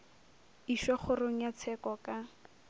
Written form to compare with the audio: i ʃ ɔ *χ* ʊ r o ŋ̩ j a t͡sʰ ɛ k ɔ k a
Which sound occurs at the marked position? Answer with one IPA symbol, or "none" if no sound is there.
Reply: χ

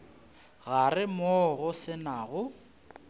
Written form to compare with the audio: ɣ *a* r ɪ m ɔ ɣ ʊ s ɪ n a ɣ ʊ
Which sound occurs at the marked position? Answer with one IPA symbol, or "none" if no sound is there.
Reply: a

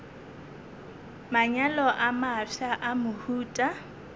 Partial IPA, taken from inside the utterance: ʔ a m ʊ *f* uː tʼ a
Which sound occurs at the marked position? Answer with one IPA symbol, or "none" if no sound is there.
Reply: h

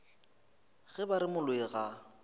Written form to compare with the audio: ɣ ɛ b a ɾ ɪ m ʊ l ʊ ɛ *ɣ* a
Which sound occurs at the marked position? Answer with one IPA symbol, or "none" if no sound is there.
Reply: ɣ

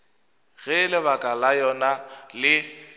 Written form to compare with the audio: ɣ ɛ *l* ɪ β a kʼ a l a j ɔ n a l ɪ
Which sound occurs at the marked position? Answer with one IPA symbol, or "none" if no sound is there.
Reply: l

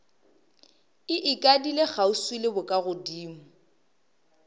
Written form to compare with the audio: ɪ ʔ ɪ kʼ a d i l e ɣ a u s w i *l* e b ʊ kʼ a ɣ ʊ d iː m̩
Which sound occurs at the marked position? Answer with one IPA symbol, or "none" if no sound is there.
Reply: l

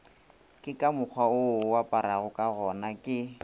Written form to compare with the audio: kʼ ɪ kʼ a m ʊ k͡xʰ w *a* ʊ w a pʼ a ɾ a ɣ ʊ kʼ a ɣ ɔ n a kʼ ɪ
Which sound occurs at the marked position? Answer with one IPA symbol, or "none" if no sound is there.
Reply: a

